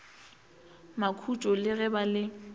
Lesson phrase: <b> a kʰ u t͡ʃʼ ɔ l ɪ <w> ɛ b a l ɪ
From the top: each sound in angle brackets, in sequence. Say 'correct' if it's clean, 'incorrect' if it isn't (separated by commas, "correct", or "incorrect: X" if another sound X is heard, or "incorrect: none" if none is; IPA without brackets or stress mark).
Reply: incorrect: m, incorrect: ɣ